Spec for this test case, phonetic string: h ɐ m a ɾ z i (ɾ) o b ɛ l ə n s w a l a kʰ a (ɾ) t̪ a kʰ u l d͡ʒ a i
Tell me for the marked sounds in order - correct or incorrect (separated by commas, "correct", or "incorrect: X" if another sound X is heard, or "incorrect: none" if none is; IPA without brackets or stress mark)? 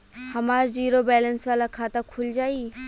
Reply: correct, incorrect: none